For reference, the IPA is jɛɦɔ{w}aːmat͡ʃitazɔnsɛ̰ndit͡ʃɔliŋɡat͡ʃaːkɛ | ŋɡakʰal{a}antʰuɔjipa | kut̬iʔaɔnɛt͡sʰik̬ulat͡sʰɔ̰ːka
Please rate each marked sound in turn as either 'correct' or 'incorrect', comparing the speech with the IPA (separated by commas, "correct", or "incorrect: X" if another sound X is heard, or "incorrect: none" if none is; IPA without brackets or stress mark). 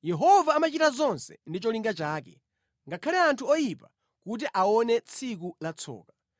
incorrect: v, incorrect: ɛ